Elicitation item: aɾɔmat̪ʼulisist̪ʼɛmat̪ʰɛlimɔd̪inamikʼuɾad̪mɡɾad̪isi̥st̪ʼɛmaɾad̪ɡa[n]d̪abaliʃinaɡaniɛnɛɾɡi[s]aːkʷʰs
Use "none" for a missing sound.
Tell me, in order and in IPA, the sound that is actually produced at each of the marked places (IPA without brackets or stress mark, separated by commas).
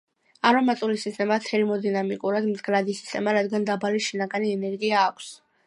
n, none